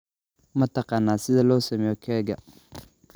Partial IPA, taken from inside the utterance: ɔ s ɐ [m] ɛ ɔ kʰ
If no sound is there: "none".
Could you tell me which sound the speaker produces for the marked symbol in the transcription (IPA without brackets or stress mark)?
m